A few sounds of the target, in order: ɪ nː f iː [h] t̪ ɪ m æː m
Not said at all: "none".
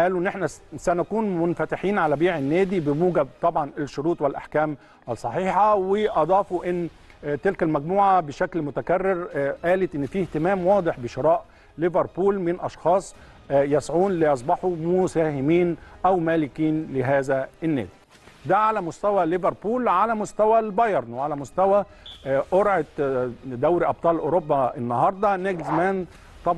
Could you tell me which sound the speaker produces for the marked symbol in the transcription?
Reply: h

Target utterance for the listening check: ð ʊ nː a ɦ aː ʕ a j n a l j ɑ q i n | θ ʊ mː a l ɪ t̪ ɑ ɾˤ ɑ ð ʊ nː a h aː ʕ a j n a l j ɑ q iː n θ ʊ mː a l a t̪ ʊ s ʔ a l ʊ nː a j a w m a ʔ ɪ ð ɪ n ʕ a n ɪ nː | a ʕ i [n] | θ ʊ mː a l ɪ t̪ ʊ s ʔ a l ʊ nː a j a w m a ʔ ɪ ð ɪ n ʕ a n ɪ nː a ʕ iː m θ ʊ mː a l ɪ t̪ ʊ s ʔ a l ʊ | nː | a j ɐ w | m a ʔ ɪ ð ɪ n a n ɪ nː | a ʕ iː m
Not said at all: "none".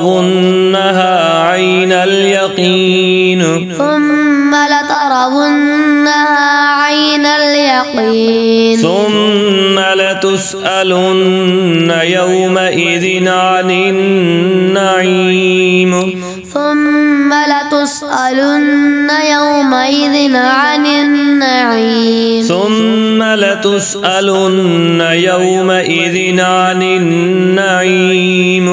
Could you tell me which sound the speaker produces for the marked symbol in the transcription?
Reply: m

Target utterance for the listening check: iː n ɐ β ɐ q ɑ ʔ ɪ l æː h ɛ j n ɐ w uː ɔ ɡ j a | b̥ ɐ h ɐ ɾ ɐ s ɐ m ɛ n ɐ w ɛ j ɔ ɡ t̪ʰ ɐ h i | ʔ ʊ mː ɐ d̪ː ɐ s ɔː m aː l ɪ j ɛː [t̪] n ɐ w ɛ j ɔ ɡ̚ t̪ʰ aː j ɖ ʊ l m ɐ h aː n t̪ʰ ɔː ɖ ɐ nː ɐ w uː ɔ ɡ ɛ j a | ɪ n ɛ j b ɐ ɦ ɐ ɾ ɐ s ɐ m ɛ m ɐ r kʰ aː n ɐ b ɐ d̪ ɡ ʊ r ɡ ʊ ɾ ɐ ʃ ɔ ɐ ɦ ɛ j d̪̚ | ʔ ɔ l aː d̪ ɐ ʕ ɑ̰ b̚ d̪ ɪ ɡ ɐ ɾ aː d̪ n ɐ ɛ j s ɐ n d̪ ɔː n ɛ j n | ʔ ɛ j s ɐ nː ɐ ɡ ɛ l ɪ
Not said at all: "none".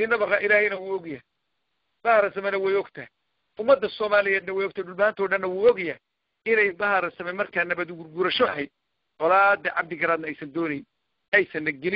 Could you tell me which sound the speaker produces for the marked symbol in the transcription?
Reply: d̪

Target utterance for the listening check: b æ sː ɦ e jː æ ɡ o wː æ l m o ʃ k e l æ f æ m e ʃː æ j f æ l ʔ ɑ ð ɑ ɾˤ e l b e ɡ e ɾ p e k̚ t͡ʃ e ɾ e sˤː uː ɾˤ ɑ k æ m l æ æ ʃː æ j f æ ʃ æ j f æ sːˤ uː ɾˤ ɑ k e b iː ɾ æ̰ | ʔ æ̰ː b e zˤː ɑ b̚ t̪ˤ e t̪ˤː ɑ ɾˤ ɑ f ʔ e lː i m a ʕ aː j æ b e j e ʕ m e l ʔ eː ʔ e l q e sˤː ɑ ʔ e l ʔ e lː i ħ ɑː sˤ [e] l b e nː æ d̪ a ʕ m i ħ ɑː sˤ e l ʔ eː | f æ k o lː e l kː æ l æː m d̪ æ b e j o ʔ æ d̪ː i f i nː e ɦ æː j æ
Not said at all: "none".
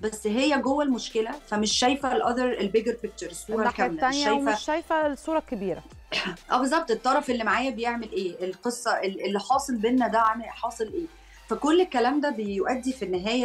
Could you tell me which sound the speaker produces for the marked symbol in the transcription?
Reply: e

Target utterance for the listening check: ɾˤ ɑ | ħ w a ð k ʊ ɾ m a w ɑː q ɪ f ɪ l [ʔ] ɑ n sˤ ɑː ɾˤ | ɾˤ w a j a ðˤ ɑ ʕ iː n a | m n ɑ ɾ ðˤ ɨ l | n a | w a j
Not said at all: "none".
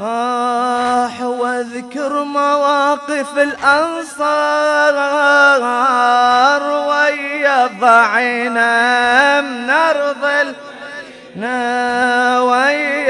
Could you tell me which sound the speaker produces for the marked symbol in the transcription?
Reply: ʔ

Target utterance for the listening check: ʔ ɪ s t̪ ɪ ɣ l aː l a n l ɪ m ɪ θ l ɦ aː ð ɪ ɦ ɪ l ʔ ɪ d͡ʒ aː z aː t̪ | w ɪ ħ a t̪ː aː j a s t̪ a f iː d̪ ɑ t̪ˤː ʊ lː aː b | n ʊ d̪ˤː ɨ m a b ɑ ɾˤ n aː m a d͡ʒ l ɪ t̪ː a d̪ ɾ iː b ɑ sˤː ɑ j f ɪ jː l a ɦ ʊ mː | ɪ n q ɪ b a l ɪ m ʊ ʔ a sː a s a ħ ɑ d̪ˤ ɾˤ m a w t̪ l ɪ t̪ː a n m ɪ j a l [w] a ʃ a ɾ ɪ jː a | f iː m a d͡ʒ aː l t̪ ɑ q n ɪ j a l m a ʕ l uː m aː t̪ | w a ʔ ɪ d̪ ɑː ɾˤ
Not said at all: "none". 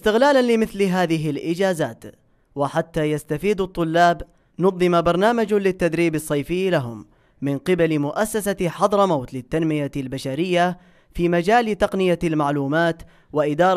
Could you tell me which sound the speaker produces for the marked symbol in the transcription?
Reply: b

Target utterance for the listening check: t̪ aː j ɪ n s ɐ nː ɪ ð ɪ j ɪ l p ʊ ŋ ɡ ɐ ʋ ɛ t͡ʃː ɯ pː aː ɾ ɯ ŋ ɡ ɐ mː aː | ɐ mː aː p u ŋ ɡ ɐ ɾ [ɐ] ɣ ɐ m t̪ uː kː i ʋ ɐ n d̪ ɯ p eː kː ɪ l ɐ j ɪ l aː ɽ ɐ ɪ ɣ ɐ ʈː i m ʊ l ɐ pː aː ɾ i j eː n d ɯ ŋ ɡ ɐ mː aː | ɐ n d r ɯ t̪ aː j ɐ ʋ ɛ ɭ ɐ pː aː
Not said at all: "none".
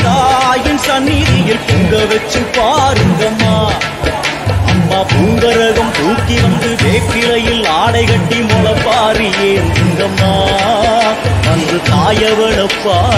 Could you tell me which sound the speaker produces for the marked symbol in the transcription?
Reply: ɐ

